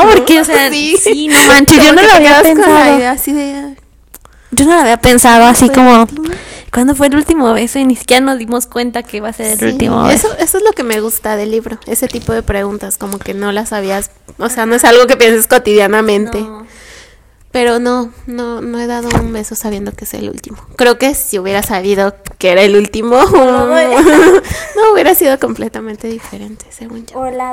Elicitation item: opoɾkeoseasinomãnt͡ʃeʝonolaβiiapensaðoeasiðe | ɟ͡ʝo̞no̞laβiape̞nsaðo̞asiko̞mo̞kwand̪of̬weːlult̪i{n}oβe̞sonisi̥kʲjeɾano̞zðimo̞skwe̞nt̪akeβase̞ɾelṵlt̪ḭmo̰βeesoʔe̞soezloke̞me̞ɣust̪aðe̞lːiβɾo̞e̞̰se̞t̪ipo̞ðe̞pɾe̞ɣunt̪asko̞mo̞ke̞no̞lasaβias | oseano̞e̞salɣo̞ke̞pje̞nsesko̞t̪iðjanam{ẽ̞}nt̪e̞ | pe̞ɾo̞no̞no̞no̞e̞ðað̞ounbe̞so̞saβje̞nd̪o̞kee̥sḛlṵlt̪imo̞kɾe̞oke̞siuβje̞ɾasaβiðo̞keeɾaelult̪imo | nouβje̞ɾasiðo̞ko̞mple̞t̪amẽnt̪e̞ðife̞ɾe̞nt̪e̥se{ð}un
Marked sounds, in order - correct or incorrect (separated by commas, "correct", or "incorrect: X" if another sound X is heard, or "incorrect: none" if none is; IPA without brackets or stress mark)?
incorrect: m, correct, incorrect: ɣ